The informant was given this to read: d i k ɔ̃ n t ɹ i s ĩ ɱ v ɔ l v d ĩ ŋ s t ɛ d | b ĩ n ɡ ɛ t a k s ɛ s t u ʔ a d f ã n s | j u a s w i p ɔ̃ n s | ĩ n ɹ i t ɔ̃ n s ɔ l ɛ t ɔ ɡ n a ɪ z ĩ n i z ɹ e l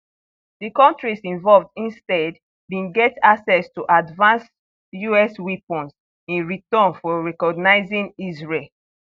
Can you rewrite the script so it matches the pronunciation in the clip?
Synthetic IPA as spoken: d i k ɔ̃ n t ɹ i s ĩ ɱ v ɔ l v d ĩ n s t ɛ d | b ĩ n ɡ ɛ t a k s ɛ s t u ʔ a d v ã n s | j u ɛ s w i p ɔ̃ n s | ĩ n ɹ i t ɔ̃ n f ɔ ɹ ɛ k ɔ ɡ n a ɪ z ĩ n i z ɹ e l